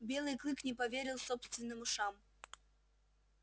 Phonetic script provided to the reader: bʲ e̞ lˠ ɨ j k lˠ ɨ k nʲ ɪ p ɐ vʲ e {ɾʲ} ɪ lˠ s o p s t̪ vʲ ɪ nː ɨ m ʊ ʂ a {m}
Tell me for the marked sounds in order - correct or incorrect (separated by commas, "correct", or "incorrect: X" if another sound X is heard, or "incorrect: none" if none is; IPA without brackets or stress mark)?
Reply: correct, correct